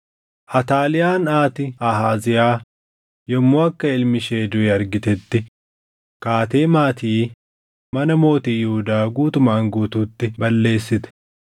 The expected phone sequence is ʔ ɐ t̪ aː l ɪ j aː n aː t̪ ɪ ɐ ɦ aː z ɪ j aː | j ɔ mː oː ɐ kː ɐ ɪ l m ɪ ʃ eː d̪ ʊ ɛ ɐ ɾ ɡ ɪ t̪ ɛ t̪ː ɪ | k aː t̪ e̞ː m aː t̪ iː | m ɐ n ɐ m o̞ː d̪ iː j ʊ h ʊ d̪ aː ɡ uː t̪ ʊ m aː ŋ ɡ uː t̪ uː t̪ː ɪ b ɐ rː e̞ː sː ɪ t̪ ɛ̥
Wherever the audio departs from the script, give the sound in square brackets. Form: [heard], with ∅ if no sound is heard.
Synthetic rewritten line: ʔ ɐ t̪ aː l ɪ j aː n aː t̪ ɪ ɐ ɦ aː z ɪ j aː | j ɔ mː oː ɐ kː ɐ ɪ l m ɪ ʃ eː d̪ ʊ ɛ ɐ ɾ ɡ ɪ t̪ ɛ t̪ː ɪ | k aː t̪ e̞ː m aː t̪ iː | m ɐ n ɐ m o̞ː [t̪] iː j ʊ h ʊ d̪ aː ɡ uː t̪ ʊ m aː ŋ ɡ uː t̪ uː t̪ː ɪ b ɐ [lː] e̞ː sː ɪ t̪ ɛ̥